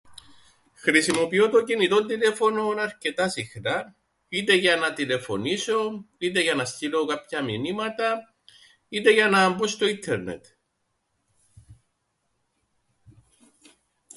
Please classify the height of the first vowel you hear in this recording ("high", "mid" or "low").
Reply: high